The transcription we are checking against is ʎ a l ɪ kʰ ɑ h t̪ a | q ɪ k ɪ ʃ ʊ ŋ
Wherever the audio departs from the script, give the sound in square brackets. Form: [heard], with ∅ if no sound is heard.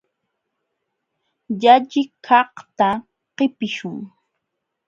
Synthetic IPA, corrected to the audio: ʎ a [ʎ] ɪ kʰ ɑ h t̪ a | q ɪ [p] ɪ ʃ ʊ ŋ